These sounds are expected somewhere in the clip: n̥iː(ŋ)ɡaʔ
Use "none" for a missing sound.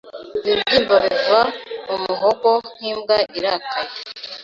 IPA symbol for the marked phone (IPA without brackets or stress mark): m